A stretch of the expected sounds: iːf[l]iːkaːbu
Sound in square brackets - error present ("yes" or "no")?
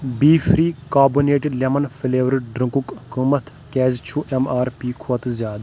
yes